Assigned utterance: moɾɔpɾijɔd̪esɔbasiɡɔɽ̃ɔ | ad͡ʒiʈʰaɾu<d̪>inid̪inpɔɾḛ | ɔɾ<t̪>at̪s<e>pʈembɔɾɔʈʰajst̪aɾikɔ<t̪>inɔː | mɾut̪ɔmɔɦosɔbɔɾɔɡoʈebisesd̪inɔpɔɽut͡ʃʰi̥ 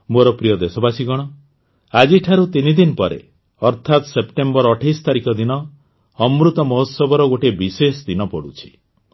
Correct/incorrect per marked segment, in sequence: incorrect, incorrect, correct, incorrect

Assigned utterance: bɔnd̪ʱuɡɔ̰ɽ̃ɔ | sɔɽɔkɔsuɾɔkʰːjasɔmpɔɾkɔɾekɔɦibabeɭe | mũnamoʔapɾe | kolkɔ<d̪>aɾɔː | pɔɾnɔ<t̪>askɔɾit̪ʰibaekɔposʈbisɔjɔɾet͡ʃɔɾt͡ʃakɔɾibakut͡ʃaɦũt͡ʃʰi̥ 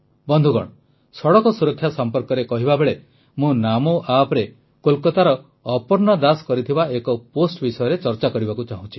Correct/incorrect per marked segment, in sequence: incorrect, incorrect

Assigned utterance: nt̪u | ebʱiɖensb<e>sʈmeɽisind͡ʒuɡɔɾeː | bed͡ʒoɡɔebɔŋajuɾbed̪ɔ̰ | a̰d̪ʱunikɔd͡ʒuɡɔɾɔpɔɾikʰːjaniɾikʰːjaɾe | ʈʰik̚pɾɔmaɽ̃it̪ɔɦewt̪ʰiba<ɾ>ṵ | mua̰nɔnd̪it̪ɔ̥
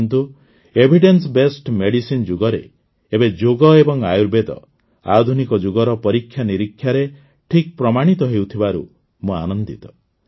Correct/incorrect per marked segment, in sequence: correct, correct

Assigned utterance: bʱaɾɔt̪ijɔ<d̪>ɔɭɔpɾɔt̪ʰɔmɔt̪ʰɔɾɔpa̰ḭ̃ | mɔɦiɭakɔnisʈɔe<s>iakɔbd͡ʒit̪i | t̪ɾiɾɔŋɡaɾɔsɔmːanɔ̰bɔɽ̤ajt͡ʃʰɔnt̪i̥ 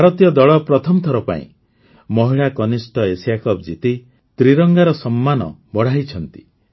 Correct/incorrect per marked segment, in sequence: correct, correct

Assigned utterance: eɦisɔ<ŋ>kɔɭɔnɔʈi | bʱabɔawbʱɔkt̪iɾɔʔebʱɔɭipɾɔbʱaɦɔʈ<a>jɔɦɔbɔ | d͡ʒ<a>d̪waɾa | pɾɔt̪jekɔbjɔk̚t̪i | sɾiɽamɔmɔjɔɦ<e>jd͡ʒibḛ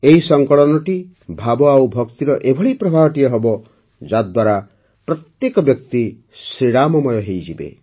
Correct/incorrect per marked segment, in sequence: correct, incorrect, correct, correct

